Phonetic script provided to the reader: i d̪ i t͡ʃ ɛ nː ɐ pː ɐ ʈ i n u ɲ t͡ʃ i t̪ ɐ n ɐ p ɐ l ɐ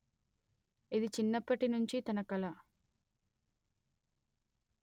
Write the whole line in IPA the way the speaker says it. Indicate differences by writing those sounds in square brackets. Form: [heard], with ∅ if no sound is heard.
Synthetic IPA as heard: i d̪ i t͡ʃ [i] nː ɐ pː ɐ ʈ i n u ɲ t͡ʃ i t̪ ɐ n ɐ [k] ɐ l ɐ